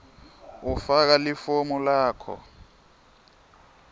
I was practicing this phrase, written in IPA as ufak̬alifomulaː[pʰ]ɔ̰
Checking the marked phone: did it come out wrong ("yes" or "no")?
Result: yes